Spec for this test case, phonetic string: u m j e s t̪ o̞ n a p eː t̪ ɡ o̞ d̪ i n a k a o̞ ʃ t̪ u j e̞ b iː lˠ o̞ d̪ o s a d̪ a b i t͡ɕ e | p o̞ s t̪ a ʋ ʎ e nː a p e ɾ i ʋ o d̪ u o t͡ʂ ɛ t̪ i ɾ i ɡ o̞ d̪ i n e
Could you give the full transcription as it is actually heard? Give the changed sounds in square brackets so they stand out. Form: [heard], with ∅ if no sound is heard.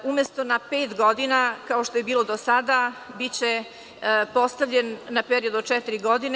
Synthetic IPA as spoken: u m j e s t̪ o̞ n a p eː t̪ ɡ o̞ d̪ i n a k a o̞ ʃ t̪ [o] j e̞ b iː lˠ o̞ d̪ o s a d̪ a b i t͡ɕ e | p o̞ s t̪ a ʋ ʎ e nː a p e ɾ i [∅] o d̪ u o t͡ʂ ɛ t̪ i ɾ i ɡ o̞ d̪ i n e